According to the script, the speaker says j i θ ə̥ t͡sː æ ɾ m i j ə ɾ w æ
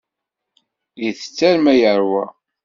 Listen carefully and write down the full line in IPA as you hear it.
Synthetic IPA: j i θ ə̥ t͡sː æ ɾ m æ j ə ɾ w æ